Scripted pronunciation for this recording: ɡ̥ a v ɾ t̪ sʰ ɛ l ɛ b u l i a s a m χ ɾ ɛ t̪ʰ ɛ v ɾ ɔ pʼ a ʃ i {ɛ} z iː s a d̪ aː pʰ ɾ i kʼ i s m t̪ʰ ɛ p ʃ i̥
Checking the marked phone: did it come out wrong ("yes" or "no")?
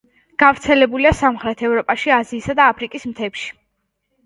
yes